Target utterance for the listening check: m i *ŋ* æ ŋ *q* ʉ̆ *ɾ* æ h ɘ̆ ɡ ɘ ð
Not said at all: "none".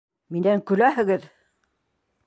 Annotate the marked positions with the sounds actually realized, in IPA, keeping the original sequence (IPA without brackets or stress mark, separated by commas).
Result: n, k, l